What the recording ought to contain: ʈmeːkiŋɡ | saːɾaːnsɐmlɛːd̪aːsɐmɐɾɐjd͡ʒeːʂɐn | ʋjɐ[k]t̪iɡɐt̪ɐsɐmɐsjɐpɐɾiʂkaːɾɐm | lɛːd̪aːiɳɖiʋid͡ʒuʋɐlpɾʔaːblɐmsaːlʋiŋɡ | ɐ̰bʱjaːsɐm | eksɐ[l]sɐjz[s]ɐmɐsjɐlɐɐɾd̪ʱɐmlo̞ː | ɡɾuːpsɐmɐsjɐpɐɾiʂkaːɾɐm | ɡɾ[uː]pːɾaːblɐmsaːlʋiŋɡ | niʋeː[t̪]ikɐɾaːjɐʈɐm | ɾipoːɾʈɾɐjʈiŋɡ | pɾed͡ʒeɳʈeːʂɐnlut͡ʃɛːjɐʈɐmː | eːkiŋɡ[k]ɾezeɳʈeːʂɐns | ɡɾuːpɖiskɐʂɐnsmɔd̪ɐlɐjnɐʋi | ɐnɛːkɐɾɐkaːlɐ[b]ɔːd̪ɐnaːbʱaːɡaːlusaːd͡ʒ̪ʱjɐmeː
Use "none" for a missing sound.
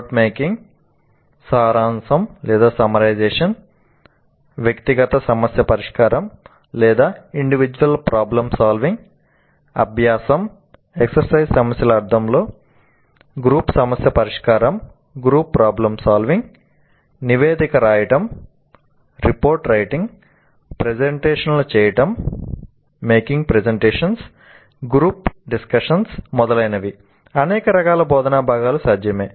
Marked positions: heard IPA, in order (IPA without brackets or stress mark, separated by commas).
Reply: k, ɾ, s, uː, d̪, p, b